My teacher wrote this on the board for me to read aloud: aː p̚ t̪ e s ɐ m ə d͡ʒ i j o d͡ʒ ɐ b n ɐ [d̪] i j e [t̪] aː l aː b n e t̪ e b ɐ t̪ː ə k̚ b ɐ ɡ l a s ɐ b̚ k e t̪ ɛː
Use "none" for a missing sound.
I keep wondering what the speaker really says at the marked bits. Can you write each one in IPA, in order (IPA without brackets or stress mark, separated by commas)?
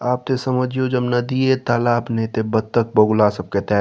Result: d̪, t̪